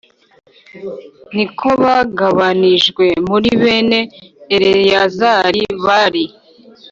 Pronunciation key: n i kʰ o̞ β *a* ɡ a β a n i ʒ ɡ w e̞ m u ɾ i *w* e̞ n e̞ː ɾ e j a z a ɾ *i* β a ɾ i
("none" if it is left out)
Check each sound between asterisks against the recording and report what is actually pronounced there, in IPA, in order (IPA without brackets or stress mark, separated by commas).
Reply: a, β, i